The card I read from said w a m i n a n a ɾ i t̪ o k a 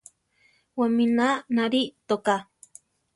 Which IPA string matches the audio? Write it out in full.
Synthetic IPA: w a m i n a n a ɾ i t̪ o k a